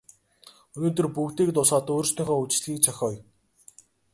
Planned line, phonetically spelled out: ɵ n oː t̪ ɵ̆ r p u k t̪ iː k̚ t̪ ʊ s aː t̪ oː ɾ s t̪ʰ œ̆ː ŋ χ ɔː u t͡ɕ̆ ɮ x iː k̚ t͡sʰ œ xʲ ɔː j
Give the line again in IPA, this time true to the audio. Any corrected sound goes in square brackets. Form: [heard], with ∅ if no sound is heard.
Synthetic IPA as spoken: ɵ n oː t̪ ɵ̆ r p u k t̪ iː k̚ t̪ ʊ s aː t̪ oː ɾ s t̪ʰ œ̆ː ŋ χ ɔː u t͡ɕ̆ ɮ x iː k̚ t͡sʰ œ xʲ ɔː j